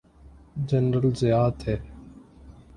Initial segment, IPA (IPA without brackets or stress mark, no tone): d͡ʒ